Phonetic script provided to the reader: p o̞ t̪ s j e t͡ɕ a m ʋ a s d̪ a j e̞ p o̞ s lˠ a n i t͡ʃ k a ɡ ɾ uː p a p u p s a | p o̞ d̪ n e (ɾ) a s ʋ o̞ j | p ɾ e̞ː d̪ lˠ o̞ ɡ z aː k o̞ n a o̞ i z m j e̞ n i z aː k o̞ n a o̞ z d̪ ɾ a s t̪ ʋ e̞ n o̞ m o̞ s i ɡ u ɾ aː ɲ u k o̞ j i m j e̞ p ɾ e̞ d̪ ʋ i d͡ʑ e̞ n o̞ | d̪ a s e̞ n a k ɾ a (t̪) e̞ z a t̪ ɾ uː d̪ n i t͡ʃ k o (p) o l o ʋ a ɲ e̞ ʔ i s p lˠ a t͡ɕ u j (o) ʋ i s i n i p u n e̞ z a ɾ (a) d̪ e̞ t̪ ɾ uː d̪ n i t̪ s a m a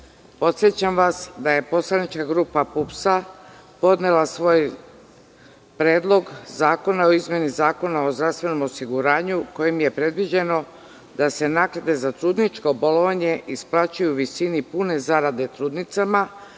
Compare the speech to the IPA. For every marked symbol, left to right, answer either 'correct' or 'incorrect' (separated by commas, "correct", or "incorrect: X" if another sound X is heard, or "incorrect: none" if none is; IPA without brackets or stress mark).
incorrect: l, incorrect: d̪, incorrect: b, incorrect: u, correct